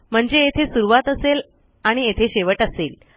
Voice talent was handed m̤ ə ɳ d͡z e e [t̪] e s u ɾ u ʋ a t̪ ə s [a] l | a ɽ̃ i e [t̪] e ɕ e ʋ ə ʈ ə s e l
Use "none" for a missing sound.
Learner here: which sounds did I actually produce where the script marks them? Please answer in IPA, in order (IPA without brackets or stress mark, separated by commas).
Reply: t̪ʰ, e, t̪ʰ